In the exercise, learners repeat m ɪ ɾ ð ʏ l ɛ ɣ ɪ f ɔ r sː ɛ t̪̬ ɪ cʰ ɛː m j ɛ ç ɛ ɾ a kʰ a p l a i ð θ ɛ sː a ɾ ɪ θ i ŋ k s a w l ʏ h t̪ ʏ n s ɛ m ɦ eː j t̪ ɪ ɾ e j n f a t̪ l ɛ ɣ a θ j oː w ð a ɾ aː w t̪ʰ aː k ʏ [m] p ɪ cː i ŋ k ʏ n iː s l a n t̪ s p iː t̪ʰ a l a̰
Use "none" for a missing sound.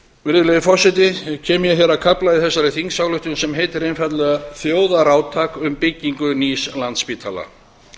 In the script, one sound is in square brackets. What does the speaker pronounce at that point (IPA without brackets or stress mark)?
m